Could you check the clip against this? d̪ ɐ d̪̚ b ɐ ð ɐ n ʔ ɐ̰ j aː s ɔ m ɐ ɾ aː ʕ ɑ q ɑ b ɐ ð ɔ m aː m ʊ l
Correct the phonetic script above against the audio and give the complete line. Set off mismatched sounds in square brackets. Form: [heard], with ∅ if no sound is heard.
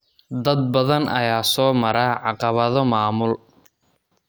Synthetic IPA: d̪ ɐ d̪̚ b ɐ ð ɐ n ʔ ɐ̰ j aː s [ɔː] m ɐ ɾ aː ʕ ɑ q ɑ [β] ɐ ð ɔ m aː m ʊ l